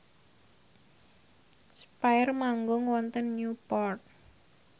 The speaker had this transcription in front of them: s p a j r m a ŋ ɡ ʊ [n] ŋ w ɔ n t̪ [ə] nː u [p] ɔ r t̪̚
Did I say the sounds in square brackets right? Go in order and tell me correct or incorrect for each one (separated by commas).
incorrect, correct, correct